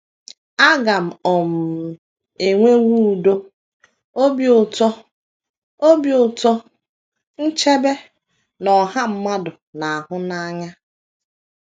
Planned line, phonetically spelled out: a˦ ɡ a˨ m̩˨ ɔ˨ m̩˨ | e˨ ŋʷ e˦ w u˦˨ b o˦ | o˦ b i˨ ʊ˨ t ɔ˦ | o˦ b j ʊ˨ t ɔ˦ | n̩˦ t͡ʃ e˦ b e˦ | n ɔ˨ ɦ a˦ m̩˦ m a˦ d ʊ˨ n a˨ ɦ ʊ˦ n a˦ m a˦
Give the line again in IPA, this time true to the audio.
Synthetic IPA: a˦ ɡ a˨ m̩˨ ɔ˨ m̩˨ | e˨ ŋʷ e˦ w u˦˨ d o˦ | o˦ b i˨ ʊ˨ t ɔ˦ | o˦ b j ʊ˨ t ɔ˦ | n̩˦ t͡ʃ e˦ b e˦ | n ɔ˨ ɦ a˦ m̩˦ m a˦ d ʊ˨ n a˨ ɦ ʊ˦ n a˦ ɲ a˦